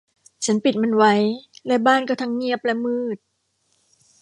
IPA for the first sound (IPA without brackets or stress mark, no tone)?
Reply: t͡ɕʰ